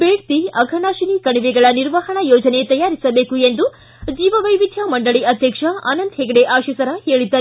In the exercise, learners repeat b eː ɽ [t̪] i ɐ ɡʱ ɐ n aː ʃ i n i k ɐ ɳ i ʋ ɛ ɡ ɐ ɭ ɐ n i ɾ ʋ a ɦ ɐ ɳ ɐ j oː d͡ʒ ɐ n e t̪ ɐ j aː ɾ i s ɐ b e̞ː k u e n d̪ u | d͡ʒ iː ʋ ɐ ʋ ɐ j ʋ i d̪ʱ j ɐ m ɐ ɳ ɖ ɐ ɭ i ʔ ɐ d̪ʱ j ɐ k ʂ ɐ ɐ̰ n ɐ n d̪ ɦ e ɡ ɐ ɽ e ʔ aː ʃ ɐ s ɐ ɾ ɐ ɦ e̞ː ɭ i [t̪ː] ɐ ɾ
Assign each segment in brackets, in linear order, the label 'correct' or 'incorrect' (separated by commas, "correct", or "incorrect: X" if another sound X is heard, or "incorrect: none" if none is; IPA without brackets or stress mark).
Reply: correct, incorrect: d̪ː